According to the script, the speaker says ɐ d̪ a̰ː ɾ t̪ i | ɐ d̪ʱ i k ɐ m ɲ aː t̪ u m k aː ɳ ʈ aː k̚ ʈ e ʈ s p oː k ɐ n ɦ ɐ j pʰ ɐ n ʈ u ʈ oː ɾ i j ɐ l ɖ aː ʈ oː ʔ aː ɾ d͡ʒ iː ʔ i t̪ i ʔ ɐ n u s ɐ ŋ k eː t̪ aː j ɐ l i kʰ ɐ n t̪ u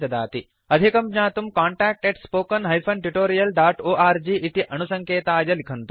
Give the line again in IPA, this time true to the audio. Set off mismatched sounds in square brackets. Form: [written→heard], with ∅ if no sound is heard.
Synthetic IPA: ɐ d̪ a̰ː [ɾ→∅] t̪ i | ɐ d̪ʱ i k ɐ m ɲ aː t̪ u m k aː ɳ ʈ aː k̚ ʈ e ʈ s p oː k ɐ n ɦ ɐ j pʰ ɐ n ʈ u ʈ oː ɾ i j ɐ l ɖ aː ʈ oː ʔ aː ɾ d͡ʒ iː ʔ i t̪ i ʔ ɐ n u s ɐ ŋ k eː t̪ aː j ɐ l i kʰ ɐ n t̪ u

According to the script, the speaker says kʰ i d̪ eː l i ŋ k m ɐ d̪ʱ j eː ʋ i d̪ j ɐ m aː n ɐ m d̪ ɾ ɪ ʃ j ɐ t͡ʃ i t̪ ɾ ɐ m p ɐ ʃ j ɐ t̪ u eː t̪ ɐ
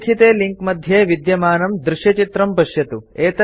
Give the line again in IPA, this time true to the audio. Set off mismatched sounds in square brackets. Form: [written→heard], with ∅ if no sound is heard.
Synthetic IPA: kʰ i [d̪→t̪] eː l i ŋ k m ɐ d̪ʱ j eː ʋ i d̪ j ɐ m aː n ɐ m d̪ ɾ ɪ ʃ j ɐ t͡ʃ i t̪ ɾ ɐ m p ɐ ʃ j ɐ t̪ u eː t̪ ɐ

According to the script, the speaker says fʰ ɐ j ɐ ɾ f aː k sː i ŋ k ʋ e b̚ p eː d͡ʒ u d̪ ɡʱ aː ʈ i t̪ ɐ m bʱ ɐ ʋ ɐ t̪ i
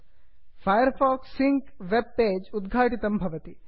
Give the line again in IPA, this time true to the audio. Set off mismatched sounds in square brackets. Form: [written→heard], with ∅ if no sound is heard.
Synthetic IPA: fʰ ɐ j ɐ ɾ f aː k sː i ŋ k ʋ e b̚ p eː d͡ʒ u d̪ ɡʱ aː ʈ i t̪ ɐ m bʱ ɐ ʋ ɐ t̪ i

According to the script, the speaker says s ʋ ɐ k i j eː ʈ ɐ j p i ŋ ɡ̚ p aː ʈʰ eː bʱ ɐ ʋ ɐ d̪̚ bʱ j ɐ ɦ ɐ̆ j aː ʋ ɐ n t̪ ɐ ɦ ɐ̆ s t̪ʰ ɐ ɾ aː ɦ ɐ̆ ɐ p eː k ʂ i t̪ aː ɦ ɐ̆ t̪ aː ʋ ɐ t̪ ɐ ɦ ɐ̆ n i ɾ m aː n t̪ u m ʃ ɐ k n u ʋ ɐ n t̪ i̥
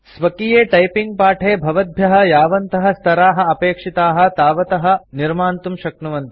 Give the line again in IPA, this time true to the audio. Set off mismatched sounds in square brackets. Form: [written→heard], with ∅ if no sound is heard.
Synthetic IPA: s ʋ ɐ k i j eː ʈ ɐ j p i ŋ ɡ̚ p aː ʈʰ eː bʱ ɐ ʋ ɐ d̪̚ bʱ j ɐ ɦ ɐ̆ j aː ʋ ɐ n t̪ ɐ ɦ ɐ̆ s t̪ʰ ɐ ɾ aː ɦ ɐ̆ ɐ p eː k ʂ i t̪ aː ɦ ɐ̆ t̪ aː ʋ ɐ t̪ ɐ ɦ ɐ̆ n i ɾ m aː n t̪ u m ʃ ɐ k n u ʋ ɐ n t̪ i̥

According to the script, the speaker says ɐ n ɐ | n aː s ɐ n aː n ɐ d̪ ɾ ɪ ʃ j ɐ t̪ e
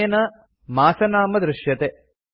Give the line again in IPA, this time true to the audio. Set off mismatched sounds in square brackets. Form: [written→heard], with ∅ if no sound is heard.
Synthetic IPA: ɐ n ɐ | [n→m] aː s ɐ n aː [n→m] ɐ d̪ ɾ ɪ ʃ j ɐ t̪ e

